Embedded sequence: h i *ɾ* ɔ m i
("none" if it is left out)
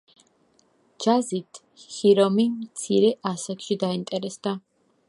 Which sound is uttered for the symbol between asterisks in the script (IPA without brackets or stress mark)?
ɾ